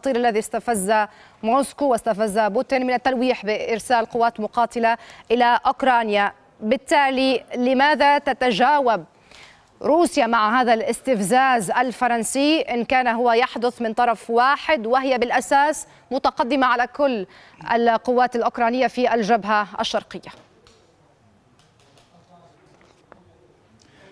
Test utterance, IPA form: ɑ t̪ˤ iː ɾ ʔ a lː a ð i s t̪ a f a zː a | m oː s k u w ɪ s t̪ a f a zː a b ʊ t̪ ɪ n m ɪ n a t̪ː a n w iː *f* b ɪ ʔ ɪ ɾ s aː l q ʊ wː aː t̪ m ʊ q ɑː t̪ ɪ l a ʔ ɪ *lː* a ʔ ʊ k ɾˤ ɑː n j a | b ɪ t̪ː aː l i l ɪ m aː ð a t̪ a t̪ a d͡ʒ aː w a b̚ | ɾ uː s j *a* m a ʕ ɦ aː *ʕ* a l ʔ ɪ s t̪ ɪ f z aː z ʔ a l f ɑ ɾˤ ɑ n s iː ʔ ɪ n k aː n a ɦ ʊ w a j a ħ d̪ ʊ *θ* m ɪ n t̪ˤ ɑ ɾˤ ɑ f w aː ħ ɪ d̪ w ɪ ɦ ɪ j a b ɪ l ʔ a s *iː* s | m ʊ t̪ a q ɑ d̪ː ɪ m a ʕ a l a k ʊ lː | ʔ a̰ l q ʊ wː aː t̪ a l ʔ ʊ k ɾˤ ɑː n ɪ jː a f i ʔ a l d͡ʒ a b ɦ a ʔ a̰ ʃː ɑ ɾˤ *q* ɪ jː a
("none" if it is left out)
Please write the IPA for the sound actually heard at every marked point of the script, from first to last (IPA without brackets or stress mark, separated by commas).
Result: ħ, l, a, ð, θ, aː, q